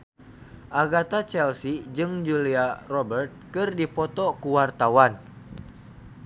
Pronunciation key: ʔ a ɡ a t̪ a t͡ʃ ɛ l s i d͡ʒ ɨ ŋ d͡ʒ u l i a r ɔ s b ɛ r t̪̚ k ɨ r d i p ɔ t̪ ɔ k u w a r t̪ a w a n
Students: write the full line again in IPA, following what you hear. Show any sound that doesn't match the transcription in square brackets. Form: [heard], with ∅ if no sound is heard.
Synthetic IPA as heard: ʔ a ɡ a t̪ a t͡ʃ ɛ l s i d͡ʒ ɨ ŋ d͡ʒ u l i a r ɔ [∅] b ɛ r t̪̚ k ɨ r d i p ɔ t̪ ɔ k u w a r t̪ a w a n